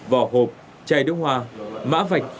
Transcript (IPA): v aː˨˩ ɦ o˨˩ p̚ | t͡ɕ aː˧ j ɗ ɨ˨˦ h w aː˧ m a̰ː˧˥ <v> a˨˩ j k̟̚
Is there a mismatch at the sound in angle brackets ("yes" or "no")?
no